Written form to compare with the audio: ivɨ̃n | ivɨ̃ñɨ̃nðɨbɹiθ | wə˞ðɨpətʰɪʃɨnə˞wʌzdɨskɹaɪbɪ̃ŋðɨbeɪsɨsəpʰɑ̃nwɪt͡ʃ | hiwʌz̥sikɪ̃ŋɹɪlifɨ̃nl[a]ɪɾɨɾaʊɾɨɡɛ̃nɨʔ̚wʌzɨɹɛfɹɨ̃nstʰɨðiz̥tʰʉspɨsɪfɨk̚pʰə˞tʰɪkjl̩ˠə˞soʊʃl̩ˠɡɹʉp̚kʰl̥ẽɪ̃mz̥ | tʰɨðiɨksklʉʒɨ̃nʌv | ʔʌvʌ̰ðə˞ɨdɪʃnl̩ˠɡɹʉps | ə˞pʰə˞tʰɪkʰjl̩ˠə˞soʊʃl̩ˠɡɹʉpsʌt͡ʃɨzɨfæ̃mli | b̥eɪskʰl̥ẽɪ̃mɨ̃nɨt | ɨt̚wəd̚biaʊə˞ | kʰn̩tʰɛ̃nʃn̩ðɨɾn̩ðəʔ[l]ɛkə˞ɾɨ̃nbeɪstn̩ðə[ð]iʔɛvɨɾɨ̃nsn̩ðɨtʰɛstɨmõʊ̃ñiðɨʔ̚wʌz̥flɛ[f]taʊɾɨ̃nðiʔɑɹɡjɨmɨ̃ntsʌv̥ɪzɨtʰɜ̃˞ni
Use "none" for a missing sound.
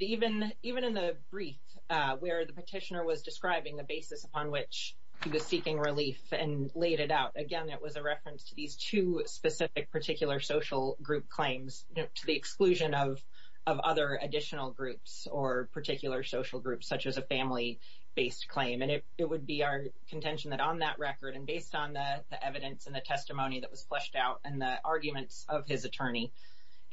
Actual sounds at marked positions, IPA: e, ɹ, ð, ʃ

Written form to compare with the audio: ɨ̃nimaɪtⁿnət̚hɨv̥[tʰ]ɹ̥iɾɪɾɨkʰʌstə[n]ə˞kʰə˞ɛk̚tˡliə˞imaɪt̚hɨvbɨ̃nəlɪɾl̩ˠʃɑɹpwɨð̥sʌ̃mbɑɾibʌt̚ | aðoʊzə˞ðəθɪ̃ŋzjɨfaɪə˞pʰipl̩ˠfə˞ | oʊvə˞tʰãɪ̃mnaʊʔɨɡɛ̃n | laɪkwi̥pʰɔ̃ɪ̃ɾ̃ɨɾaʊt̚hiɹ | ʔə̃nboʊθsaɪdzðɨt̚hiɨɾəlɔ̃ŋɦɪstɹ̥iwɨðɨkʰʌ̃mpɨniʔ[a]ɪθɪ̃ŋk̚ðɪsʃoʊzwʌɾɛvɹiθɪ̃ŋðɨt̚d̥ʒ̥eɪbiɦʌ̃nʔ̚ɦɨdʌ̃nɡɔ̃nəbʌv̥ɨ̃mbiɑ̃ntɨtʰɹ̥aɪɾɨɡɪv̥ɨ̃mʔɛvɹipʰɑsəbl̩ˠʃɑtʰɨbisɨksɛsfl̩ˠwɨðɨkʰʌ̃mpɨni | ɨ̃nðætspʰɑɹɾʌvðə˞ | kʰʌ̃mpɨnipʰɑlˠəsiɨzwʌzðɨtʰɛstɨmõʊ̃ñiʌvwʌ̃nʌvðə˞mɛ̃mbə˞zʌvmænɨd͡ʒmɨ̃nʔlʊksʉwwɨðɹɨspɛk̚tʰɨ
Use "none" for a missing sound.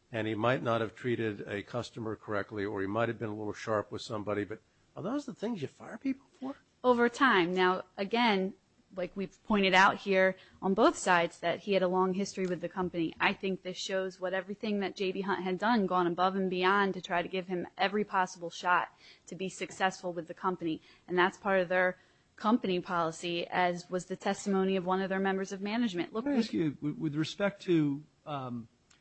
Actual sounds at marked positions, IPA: tʰ, m, a

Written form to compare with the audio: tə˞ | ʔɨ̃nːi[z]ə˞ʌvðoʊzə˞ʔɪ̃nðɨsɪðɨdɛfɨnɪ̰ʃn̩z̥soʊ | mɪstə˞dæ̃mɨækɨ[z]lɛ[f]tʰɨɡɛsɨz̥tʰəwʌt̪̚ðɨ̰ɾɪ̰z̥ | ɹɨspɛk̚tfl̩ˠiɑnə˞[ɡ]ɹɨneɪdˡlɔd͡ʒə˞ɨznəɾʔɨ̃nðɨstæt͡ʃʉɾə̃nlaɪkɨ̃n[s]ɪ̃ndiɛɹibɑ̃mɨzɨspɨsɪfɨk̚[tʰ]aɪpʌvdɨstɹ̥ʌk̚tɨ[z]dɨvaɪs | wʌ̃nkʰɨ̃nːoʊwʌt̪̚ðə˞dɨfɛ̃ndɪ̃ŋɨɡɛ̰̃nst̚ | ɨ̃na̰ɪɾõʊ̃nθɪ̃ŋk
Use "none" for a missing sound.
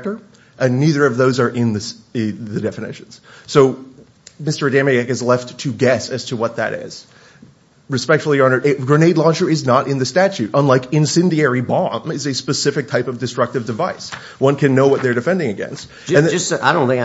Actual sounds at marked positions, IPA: ð, z, f, ɡ, s, tʰ, v

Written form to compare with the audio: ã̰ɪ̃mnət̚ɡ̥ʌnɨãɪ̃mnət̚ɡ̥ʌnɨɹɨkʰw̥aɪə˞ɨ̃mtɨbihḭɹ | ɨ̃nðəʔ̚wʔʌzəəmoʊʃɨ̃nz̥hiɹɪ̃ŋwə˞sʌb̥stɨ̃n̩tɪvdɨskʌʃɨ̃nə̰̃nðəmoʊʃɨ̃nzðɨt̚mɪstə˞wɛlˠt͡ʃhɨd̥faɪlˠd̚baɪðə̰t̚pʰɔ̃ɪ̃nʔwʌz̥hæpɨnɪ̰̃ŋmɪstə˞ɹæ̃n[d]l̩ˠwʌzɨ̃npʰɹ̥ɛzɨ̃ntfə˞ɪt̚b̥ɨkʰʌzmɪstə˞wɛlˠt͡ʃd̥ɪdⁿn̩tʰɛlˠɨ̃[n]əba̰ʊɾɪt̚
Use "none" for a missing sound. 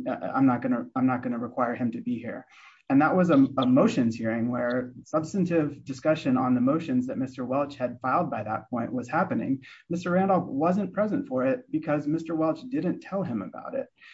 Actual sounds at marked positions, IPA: d, m

